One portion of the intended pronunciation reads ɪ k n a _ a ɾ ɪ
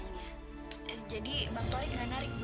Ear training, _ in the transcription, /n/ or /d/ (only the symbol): n